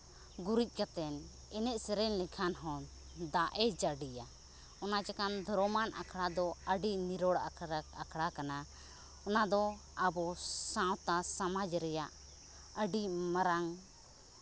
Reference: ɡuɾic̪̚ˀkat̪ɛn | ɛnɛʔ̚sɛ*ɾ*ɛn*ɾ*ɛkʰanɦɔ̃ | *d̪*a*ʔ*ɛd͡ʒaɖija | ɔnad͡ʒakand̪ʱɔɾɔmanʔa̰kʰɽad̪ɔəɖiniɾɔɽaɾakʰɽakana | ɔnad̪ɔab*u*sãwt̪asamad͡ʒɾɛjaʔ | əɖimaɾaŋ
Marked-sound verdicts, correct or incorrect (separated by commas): correct, incorrect, correct, correct, incorrect